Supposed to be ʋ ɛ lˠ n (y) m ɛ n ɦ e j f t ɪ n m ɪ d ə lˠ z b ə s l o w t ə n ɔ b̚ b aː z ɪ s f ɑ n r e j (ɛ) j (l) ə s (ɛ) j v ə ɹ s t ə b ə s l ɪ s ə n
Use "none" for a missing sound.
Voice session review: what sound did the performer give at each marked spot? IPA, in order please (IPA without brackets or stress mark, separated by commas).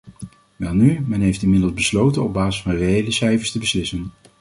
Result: y, e, l, ɛ